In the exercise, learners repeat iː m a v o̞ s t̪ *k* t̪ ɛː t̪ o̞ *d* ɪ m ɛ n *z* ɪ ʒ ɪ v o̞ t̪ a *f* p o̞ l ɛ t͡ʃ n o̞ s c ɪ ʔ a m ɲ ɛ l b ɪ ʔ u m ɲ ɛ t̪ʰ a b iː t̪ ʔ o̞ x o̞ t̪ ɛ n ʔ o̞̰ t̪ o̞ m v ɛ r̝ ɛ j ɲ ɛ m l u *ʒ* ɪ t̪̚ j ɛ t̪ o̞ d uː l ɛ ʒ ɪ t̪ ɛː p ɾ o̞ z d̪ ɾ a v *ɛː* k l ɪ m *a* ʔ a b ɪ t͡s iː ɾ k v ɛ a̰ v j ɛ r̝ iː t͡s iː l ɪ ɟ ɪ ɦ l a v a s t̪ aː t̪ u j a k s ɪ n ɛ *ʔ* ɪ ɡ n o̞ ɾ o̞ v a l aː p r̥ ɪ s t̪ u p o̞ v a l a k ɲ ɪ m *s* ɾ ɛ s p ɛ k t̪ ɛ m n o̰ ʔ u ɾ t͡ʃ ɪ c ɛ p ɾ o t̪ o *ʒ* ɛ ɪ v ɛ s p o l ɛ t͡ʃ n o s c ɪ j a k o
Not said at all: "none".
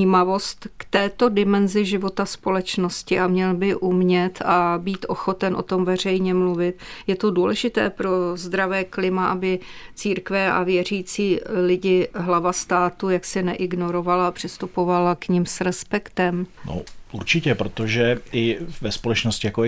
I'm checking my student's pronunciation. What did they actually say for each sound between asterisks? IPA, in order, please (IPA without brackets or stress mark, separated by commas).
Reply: k, d, z, s, v, ɛː, a, ʔ, s, ʒ